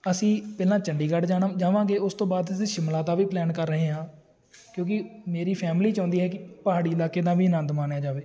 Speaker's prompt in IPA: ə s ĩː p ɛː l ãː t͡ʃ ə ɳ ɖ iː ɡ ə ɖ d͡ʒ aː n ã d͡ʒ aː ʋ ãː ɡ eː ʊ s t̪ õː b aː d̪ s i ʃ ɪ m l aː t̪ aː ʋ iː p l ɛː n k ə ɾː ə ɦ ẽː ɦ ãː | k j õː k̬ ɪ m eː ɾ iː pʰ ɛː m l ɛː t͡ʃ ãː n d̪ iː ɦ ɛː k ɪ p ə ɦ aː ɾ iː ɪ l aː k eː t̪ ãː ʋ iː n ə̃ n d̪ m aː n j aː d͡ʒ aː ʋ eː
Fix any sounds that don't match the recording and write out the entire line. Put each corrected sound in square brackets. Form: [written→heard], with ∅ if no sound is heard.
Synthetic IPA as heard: ə s ĩː p ɛː l ãː t͡ʃ ə ɳ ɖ iː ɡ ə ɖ d͡ʒ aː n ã d͡ʒ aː ʋ ãː ɡ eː ʊ s t̪ õː b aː d̪ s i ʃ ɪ m l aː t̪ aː ʋ iː p l ɛː n k ə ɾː ə ɦ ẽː ɦ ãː | k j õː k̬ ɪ m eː ɾ iː pʰ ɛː m l [ɛː→iː] t͡ʃ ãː n d̪ iː ɦ ɛː k ɪ p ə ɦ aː [ɾ→ɽ] iː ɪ l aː k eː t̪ ãː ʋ iː n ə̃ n d̪ m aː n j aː d͡ʒ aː ʋ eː